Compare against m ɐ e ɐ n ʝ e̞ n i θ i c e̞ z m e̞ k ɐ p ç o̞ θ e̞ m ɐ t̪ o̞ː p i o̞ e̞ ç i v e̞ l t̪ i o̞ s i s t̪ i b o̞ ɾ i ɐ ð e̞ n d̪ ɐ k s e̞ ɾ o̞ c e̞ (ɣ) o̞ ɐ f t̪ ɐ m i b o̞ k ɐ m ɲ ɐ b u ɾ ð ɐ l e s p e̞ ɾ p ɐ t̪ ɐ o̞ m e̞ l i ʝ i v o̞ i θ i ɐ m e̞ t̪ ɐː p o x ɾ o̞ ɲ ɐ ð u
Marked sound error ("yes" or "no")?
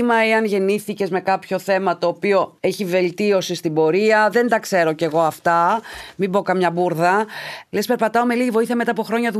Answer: no